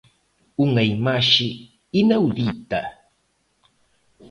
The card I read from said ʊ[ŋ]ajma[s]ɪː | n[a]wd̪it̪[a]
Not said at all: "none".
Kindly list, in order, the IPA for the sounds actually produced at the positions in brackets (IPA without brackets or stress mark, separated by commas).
ŋ, ʃ, a, a